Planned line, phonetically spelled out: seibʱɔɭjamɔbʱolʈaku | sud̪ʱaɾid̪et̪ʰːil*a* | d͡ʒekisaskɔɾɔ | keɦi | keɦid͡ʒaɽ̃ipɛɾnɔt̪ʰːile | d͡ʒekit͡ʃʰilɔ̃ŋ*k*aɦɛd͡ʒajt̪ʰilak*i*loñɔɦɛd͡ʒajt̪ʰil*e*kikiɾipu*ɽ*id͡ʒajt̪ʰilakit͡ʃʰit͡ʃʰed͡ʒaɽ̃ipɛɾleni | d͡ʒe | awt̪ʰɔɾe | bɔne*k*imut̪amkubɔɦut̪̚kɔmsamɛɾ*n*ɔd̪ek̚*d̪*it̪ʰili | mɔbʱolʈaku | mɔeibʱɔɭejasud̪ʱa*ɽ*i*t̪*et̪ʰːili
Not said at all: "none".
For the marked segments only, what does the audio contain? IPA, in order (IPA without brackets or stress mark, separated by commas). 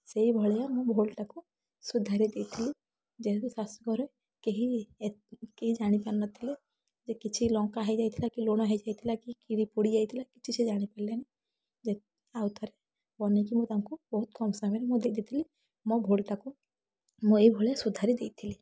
i, k, i, a, ɽ, k, m, d̪, ɾ, d̪